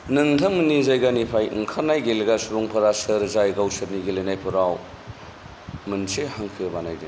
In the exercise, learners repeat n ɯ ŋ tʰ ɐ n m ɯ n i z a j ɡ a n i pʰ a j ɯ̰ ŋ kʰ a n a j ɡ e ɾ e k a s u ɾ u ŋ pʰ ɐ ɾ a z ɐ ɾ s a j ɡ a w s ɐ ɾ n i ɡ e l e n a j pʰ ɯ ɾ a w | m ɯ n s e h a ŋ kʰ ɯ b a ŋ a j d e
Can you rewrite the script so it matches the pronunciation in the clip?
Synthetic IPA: n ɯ ŋ tʰ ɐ m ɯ n i z a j ɡ a n i pʰ a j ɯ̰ ŋ kʰ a n a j ɡ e l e ɡ a s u ɾ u ŋ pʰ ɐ ɾ a s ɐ ɾ z a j ɡ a w s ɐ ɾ n i ɡ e l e n a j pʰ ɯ ɾ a w | m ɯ n s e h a ŋ kʰ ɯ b a n a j d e